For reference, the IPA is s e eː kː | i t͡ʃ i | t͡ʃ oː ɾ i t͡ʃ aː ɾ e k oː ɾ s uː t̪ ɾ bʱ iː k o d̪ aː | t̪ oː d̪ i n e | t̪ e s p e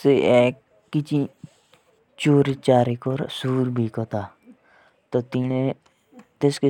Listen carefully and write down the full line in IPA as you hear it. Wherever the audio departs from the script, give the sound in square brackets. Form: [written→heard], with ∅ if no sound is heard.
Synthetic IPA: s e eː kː | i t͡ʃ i | t͡ʃ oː ɾ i t͡ʃ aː ɾ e k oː ɾ s uː [t̪→∅] ɾ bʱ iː k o [d̪→t̪] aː | t̪ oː [d̪→t̪] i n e | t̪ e s [p→k] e

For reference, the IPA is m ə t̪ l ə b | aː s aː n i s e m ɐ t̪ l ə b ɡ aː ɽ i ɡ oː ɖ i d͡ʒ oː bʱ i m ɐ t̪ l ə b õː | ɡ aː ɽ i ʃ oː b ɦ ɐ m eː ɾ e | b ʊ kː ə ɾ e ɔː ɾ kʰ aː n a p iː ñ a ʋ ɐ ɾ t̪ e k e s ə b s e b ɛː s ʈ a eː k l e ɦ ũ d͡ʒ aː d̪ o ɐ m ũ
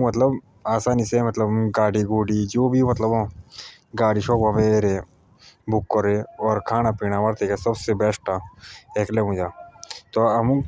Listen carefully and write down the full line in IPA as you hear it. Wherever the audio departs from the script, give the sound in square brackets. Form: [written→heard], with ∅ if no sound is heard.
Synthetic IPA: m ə t̪ l ə b | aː s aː n i s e m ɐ t̪ l ə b ɡ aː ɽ i ɡ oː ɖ i d͡ʒ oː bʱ i m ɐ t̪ l ə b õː | ɡ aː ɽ i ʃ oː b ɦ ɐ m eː ɾ e | b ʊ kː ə ɾ e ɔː ɾ kʰ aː n a p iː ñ a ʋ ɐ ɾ t̪ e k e s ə b s e b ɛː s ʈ a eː k l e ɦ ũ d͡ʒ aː [d̪→t̪] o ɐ m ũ

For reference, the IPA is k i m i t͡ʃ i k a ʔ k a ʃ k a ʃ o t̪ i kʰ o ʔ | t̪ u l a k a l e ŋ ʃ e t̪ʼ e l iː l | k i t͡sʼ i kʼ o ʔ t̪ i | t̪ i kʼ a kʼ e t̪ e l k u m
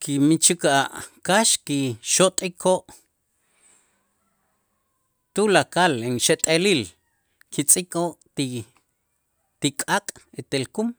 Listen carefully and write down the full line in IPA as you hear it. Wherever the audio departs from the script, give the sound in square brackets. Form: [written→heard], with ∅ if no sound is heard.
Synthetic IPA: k i m i t͡ʃ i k a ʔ k a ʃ k [a→i] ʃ o [t̪→t̪ʼ] i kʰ o ʔ | t̪ u l a k a l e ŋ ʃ e t̪ʼ e l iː l | k i t͡sʼ i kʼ o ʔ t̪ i | t̪ i kʼ a kʼ e t̪ e l k u m

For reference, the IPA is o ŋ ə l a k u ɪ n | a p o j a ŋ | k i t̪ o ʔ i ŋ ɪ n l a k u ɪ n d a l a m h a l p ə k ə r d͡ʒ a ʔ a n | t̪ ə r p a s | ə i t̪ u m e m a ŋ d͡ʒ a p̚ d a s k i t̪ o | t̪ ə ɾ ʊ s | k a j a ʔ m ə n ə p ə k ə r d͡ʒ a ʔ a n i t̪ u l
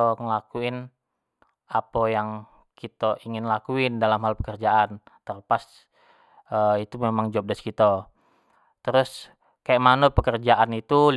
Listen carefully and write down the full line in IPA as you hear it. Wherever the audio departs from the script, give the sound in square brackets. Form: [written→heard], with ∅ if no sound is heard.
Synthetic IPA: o ŋ ə l a k u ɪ n | a p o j a ŋ | k i t̪ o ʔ i ŋ ɪ n l a k u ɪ n d a l a m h a l p ə k ə r d͡ʒ a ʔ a n | t̪ ə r p a s | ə i t̪ u m e m a ŋ d͡ʒ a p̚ d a s k i t̪ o | t̪ ə ɾ ʊ s | k a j a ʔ m [ə→a] n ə p ə k ə r d͡ʒ a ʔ a n i t̪ u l

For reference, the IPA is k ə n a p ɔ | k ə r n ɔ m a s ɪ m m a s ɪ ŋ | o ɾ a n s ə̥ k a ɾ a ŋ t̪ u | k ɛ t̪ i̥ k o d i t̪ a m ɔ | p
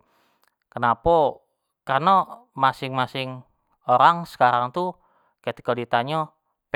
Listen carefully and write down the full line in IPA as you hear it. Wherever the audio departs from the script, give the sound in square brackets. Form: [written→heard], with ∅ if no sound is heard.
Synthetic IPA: k ə n a p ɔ | k [ə→a] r n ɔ m a s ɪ [m→ŋ] m a s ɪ ŋ | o ɾ a [n→ŋ] s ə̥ k a ɾ a ŋ t̪ u | k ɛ t̪ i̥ k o d i t̪ a [m→ɲ] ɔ | p

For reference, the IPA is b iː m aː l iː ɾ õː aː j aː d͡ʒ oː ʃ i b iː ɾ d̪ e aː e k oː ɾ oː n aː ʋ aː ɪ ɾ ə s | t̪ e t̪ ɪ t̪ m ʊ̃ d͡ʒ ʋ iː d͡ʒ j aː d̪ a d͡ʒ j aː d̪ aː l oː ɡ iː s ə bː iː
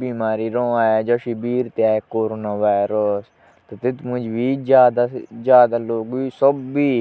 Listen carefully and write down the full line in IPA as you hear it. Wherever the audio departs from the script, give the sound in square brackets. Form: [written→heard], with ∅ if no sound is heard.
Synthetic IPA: b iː m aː [l→ɾ] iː ɾ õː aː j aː d͡ʒ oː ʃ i b iː ɾ [d̪→t̪] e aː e k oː ɾ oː n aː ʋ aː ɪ ɾ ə s | t̪ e t̪ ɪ t̪ m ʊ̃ d͡ʒ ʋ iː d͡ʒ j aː d̪ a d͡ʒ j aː d̪ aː l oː ɡ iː s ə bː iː

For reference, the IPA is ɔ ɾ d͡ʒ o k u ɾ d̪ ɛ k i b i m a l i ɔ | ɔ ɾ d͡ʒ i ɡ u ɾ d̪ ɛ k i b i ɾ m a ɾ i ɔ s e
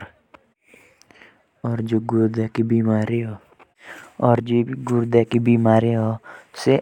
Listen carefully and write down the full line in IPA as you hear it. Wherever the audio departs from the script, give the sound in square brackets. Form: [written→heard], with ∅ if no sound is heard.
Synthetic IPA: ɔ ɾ d͡ʒ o [k→ɡ] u ɾ d̪ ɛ k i b i m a [l→ɾ] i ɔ | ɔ ɾ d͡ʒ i ɡ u ɾ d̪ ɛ k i b i [ɾ→∅] m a ɾ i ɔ s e

